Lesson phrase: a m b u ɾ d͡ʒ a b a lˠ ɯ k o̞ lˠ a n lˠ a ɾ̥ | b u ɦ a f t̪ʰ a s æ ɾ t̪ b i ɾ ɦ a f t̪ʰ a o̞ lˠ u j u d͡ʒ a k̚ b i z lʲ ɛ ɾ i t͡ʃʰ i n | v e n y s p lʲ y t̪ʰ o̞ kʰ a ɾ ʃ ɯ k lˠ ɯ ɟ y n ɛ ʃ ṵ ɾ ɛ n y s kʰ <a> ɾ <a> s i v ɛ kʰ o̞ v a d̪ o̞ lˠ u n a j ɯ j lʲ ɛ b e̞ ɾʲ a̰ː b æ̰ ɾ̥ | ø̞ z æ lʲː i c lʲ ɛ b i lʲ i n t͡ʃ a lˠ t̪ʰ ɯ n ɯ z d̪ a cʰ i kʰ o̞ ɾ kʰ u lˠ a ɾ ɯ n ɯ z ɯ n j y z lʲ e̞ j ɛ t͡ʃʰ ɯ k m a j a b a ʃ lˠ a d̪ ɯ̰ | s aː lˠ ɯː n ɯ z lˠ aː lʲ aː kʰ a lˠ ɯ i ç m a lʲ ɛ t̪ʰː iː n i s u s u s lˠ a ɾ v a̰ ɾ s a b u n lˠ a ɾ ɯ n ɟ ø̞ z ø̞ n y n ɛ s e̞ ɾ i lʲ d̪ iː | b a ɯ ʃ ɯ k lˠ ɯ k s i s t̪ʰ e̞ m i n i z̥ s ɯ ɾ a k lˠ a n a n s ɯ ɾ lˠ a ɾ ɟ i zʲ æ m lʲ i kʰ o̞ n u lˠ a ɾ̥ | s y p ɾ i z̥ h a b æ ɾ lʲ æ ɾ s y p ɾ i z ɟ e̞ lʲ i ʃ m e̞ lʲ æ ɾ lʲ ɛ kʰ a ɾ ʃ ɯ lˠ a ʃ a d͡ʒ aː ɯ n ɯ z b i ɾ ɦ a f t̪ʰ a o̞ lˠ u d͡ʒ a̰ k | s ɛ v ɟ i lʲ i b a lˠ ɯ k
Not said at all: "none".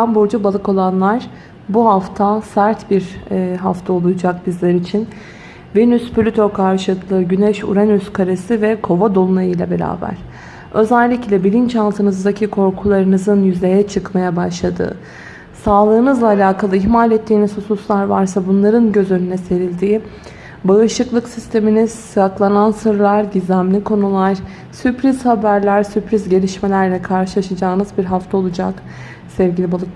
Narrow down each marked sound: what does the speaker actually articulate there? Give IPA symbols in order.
a, e

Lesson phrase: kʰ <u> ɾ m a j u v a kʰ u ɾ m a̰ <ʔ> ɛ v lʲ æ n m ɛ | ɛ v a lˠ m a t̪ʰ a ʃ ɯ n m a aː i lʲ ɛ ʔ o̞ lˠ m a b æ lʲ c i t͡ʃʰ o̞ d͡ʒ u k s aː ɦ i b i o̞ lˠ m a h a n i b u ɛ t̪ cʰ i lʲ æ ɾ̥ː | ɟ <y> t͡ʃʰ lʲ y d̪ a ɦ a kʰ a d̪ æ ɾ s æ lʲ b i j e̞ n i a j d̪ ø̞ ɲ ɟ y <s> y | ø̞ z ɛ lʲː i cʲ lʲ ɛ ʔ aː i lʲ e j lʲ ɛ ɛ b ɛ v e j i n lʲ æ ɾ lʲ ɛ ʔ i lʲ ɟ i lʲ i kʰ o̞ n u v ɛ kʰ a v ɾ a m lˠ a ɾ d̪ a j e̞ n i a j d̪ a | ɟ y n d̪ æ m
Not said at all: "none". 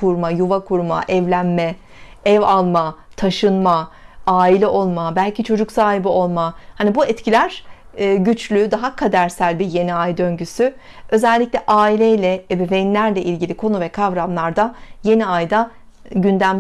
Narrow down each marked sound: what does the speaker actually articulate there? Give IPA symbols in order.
u, ʔ, y, s

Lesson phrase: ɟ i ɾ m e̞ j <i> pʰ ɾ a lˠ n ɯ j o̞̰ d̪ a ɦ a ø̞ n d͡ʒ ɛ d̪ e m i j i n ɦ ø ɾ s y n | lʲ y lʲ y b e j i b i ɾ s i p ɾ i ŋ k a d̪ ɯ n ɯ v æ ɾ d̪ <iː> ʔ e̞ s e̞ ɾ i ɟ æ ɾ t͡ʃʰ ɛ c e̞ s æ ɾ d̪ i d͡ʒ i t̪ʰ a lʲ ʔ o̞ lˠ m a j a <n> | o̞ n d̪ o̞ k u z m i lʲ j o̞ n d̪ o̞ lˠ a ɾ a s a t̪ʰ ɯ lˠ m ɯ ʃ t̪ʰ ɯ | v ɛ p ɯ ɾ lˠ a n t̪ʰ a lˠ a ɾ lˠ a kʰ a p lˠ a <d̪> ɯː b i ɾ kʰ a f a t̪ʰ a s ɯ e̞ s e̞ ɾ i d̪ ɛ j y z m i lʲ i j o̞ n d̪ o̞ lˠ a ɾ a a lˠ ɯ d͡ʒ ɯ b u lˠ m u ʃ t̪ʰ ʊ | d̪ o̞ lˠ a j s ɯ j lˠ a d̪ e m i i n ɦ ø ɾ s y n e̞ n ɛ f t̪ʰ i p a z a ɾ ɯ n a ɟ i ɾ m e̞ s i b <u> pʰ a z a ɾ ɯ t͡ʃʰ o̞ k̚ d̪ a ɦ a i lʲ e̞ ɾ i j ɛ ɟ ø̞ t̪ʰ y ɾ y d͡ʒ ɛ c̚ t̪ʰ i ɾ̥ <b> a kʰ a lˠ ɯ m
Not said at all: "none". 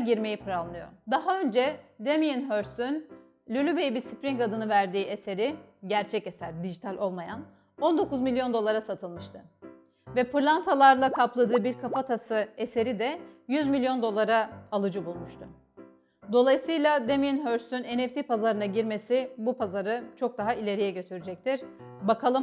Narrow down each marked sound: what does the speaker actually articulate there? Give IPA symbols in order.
i, iː, n, d̪, u, b

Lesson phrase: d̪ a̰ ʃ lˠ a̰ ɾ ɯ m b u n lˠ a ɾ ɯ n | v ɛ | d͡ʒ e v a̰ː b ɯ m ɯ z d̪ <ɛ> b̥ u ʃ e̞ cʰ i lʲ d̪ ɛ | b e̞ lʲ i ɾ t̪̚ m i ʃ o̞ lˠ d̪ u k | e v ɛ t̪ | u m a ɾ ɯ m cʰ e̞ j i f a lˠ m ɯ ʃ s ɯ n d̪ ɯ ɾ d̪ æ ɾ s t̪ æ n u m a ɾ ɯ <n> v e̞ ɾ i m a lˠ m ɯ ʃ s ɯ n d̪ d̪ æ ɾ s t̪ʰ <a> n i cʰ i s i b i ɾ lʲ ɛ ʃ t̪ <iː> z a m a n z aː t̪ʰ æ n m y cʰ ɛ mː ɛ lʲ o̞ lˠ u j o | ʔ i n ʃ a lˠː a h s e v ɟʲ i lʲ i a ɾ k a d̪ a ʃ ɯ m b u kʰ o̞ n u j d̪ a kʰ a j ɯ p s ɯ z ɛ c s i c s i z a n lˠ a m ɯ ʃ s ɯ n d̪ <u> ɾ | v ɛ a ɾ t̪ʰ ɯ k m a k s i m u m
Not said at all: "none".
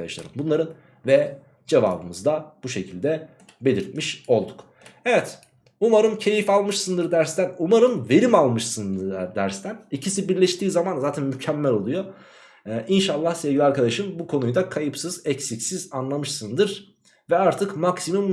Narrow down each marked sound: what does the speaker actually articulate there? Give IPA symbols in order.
a, m, æ, iː, ɯ

